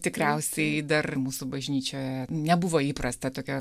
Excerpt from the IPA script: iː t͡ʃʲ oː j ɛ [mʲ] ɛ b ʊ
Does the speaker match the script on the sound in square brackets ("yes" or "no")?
no